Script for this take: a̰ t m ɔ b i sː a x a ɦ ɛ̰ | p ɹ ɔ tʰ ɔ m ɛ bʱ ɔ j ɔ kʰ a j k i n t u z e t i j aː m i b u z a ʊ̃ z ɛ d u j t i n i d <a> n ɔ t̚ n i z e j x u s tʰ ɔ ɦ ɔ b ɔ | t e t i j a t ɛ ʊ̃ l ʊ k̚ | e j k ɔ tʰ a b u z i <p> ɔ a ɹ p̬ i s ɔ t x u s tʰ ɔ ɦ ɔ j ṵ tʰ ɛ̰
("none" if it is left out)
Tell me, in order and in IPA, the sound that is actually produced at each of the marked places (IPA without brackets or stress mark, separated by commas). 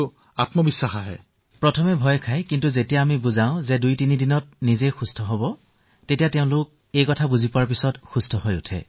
i, p